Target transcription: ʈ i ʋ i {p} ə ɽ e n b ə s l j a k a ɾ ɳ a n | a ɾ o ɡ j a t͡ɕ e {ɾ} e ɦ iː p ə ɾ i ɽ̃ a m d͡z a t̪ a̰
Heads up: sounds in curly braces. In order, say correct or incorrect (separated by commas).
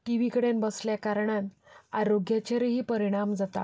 incorrect, correct